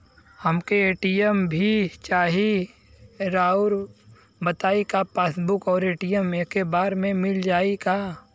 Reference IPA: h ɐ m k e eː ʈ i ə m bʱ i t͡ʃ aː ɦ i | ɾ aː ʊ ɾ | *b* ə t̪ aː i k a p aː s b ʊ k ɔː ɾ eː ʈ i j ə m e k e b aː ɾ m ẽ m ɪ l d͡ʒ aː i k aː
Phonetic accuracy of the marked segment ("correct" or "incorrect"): correct